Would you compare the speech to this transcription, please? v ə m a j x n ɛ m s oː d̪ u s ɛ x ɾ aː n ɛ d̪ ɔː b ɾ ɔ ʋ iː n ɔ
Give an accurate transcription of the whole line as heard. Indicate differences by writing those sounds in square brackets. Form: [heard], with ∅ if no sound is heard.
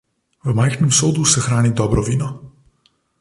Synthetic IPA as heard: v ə m a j x n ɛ m s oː d̪ u s ɛ x ɾ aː n [i] d̪ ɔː b ɾ ɔ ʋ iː n ɔ